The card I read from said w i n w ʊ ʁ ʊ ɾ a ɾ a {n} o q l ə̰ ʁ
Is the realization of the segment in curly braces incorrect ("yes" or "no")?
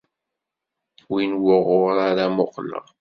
yes